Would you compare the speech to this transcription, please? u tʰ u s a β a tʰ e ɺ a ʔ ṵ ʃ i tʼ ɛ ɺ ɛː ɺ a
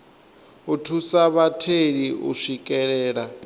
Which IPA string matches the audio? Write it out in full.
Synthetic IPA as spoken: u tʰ u s a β a tʰ e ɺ i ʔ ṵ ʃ i kʼ ɛ ɺ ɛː ɺ a